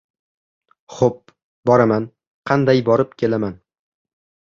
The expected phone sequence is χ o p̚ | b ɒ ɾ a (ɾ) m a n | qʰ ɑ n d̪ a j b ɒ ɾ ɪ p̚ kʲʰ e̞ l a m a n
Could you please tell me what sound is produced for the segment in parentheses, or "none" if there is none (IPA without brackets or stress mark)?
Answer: none